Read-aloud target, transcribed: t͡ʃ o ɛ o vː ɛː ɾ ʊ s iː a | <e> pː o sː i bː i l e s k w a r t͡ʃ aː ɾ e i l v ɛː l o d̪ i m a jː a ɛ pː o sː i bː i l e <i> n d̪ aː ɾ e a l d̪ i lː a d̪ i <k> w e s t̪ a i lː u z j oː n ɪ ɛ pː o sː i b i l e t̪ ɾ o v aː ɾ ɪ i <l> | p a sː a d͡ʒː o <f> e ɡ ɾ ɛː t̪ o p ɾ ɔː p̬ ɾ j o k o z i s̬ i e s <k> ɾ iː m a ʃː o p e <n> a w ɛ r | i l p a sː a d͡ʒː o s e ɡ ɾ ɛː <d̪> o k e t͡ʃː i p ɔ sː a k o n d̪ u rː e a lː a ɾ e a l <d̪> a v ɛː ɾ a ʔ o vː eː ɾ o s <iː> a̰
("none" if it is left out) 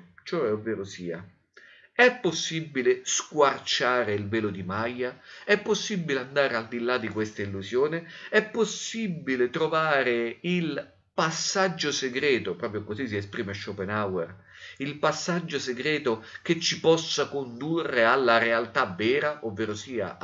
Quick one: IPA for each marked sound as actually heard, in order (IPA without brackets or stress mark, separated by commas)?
ɛ, a, k, l, s, p, n, t̪, t̪, iː